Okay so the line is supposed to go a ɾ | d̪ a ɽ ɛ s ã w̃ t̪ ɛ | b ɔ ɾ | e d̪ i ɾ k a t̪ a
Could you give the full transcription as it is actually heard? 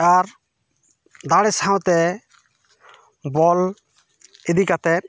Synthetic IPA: a ɾ | d̪ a ɽ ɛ s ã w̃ t̪ ɛ | b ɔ l | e d̪ i k a t̪ ɛ